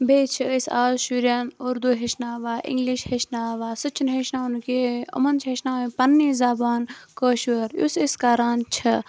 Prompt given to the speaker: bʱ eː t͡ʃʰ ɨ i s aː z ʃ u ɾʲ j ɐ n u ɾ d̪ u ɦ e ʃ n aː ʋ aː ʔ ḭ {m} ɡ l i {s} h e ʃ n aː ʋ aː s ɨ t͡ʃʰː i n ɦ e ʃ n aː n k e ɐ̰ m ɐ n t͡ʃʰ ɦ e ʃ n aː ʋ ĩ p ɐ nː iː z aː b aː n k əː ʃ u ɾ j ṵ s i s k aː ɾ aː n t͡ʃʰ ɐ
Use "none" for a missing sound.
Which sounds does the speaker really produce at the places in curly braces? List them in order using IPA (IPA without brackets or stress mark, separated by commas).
ŋ, ʃ